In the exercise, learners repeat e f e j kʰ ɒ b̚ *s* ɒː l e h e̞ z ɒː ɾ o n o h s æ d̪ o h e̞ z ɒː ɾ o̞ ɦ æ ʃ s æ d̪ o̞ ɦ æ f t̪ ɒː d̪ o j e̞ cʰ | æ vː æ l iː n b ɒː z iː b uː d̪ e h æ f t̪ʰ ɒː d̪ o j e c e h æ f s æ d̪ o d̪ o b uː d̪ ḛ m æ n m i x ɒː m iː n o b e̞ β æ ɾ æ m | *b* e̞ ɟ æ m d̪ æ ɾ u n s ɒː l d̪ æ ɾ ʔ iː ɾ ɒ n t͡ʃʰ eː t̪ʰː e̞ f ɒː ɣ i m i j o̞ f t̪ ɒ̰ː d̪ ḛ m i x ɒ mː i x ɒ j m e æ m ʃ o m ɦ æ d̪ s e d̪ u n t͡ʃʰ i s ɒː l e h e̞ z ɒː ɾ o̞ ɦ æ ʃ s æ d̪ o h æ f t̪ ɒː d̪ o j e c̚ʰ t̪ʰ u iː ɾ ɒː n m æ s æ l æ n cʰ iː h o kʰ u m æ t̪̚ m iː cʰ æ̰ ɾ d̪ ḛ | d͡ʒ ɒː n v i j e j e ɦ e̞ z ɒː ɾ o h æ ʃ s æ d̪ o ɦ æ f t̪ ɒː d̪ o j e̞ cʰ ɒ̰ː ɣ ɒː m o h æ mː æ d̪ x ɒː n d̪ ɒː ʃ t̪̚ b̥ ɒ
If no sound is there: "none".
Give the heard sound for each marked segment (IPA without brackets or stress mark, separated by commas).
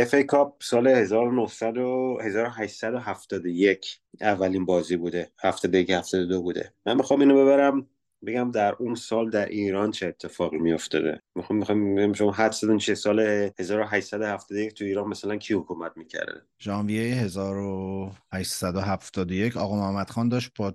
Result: s, b